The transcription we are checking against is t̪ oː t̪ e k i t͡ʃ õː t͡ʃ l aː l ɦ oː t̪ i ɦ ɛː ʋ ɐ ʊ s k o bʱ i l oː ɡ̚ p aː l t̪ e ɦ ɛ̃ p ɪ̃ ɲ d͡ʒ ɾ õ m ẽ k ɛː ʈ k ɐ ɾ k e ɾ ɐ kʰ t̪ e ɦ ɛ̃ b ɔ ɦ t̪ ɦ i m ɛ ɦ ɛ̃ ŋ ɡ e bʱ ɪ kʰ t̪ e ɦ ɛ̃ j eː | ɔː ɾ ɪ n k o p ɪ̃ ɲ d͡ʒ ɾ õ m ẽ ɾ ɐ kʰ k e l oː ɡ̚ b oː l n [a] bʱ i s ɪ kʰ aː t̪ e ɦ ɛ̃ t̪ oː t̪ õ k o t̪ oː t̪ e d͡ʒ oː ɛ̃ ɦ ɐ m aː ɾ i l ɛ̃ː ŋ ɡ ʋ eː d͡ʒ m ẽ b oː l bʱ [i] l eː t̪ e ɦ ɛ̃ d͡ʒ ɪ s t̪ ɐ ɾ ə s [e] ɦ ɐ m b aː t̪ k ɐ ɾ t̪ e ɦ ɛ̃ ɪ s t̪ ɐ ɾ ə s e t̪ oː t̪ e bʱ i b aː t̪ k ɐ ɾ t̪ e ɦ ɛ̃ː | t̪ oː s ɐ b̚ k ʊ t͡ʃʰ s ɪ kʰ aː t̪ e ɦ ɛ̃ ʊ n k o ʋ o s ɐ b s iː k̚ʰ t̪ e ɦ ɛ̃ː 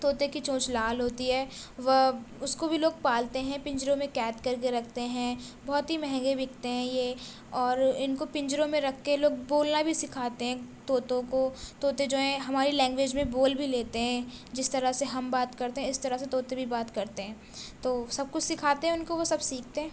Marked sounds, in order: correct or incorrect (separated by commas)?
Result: correct, correct, correct